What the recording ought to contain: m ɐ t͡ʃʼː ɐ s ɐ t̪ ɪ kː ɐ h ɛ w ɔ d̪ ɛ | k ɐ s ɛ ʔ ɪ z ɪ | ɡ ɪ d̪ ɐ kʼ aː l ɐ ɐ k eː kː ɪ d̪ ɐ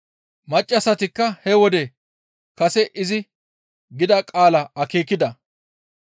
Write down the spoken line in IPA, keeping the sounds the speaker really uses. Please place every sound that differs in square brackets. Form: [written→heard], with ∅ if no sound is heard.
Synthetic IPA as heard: m ɐ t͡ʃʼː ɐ s ɐ t̪ ɪ kː ɐ h ɛ w ɔ d̪ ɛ | k ɐ s ɛ ʔ ɪ z ɪ | ɡ ɪ d̪ ɐ kʼ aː l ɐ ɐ k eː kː ɪ d̪ ɐ